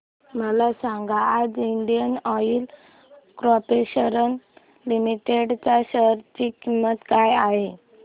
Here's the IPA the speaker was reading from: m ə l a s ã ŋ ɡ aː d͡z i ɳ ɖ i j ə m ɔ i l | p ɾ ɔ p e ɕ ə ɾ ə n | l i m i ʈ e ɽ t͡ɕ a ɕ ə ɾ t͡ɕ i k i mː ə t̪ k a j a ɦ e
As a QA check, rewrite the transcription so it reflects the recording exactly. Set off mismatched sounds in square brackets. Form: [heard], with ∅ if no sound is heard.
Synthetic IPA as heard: m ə l a s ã ŋ ɡ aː d͡z i ɳ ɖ i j ə [n] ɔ i l | [k] ɾ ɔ p e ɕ ə ɾ ə n | l i m i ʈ e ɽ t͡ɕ a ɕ ə ɾ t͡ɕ i k i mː ə t̪ k a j a ɦ e